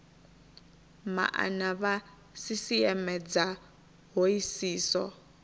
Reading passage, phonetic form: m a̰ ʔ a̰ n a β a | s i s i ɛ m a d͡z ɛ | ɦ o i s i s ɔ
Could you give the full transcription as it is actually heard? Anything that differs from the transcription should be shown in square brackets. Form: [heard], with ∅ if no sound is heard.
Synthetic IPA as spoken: m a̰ ʔ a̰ n a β a | s i s i ɛ m [ɛ] d͡z [a] | ɦ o i s [iː] s ɔ